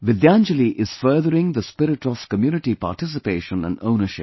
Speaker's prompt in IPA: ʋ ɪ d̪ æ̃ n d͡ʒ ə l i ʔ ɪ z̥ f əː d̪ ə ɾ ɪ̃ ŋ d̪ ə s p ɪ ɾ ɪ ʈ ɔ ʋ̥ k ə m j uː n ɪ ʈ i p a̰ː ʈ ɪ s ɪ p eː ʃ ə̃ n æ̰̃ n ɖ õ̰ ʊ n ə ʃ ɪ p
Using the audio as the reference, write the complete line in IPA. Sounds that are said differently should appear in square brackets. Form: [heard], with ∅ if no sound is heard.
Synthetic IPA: ʋ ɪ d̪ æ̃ n d͡ʒ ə l i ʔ ɪ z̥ f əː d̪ ə ɾ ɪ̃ ŋ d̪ ə s p ɪ ɾ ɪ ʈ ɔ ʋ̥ k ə m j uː n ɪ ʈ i p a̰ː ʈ ɪ s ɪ p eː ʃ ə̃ n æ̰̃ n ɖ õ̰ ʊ n ə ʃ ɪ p